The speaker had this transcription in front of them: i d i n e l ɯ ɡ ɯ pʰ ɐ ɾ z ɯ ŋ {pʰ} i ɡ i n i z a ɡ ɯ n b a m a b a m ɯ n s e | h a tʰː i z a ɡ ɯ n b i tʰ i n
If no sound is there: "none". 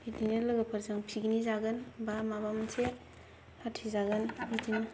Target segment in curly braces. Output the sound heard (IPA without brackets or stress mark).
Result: pʰ